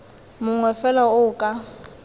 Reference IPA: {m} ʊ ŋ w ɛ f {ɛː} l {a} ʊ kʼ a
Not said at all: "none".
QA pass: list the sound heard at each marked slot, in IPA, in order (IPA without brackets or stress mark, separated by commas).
m, ɛ, a